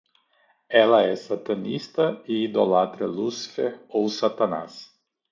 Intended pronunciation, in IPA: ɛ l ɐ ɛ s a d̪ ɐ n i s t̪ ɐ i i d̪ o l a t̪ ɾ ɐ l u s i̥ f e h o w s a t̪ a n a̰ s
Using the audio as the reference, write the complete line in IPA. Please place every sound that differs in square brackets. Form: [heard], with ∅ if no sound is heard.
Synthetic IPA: ɛ l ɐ ɛ s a [t̪] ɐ n i s t̪ ɐ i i d̪ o l a t̪ ɾ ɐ l u s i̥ f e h o w s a t̪ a n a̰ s